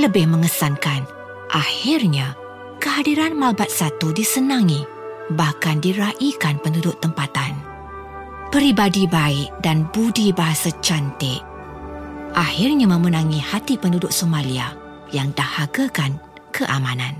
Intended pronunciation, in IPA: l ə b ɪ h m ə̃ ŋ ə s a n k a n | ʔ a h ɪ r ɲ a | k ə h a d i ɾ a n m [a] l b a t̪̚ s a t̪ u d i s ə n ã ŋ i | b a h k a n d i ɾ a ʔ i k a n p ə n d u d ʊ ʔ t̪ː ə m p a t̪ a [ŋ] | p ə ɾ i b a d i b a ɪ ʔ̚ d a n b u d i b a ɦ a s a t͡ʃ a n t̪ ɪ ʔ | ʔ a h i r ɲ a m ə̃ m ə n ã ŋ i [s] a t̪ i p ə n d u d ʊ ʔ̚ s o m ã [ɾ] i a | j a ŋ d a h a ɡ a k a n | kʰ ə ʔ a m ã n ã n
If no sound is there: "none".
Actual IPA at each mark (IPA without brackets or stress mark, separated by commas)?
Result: a, n, h, l